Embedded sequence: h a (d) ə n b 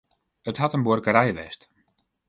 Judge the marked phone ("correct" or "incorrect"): incorrect